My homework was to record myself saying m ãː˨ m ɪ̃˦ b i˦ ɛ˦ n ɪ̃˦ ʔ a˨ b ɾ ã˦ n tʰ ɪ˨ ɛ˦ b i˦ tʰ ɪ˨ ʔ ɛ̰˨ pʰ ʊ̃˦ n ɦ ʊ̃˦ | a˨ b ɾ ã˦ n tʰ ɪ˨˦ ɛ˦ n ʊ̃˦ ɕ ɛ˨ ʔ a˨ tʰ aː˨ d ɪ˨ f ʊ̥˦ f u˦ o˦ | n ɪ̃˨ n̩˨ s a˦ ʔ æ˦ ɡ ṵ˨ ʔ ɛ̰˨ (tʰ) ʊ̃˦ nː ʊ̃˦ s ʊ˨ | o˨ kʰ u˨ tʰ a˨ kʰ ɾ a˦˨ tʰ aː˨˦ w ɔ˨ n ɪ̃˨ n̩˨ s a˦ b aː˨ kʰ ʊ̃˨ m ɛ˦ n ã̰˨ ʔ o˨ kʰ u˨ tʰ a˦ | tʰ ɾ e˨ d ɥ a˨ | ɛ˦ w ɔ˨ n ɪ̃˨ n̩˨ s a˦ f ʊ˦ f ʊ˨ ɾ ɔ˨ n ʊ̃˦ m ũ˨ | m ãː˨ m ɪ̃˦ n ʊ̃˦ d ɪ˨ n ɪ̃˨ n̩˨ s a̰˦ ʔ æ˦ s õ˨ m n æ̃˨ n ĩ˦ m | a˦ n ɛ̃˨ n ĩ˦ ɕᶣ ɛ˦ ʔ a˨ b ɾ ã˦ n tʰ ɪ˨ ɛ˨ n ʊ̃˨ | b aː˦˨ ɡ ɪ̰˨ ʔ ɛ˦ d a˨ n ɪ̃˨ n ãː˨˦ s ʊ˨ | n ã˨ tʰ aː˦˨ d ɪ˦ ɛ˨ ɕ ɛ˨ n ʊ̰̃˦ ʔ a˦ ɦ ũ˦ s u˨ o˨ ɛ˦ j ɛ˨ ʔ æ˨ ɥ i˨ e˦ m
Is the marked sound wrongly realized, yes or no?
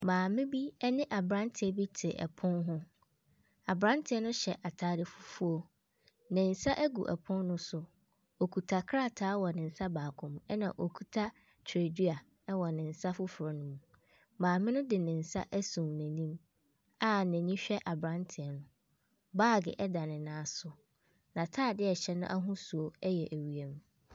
yes